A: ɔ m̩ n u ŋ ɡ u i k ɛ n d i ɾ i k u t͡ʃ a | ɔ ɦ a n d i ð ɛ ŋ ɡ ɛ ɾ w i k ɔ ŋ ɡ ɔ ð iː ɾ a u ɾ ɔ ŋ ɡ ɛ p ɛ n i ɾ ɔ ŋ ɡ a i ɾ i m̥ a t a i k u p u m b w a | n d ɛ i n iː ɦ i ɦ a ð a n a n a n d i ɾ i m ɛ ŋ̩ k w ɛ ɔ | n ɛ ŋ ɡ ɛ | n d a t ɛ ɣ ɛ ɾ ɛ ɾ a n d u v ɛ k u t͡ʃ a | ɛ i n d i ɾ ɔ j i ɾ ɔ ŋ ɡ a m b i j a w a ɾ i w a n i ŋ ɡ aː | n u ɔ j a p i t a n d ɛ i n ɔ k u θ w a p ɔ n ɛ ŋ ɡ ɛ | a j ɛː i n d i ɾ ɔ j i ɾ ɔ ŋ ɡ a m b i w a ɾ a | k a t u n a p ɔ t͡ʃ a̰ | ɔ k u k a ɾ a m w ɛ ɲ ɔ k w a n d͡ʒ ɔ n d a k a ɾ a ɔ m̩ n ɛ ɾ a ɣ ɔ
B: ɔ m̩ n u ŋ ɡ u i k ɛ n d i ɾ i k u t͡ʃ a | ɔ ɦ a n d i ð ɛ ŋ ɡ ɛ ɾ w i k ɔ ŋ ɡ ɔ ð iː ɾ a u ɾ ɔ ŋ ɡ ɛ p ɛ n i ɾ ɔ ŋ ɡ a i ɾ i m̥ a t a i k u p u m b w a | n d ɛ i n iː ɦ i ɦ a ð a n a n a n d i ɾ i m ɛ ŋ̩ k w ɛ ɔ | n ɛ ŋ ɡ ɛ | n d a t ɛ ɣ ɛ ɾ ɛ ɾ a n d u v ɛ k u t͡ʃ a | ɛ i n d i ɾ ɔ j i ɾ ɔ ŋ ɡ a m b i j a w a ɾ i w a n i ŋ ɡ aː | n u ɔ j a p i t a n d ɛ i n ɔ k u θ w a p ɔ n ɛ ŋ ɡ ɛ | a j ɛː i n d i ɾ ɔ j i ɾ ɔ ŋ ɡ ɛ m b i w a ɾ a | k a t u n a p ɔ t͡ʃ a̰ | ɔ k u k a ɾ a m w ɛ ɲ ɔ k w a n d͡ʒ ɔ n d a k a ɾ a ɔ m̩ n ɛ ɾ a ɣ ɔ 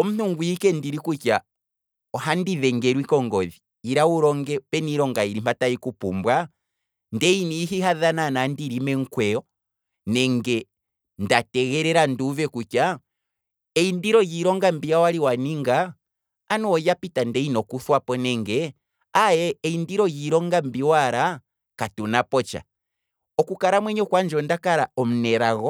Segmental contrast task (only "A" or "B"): A